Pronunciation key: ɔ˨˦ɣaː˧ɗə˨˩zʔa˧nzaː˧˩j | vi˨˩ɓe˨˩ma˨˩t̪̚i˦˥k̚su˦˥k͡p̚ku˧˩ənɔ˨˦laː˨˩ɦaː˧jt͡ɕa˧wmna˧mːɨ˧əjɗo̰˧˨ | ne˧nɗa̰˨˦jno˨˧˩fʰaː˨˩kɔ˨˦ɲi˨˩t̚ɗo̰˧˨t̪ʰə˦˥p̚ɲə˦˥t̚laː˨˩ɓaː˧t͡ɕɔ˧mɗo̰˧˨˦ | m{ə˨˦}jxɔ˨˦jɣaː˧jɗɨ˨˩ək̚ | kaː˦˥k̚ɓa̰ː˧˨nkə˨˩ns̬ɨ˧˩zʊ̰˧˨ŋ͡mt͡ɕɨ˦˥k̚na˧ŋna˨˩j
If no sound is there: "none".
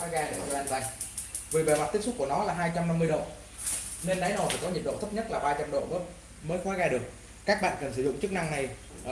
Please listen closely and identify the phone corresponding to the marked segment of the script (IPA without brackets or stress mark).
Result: əː˨˦